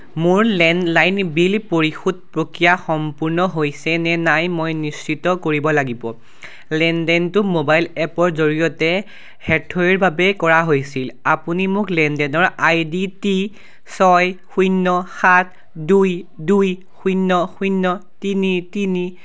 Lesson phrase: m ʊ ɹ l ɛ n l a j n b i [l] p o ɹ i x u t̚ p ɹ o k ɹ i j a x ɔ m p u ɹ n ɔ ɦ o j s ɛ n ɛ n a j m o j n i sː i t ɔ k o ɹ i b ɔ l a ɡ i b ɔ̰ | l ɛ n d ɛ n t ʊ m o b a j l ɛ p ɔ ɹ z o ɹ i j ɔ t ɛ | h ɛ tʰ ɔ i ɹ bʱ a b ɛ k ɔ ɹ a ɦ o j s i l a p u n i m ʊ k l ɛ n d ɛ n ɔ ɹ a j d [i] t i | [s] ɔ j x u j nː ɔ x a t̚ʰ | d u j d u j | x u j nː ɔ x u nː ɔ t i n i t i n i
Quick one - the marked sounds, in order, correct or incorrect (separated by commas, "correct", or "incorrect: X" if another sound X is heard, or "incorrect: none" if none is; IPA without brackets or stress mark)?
correct, correct, correct